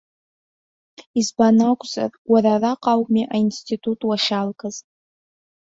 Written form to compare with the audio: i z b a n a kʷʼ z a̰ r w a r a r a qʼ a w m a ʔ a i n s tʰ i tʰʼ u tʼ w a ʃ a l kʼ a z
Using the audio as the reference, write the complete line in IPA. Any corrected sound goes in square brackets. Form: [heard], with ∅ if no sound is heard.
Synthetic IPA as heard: i z b a n a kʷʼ z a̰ r w a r a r a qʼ a w m [i] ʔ a i n s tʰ i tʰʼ u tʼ w a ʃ a l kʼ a z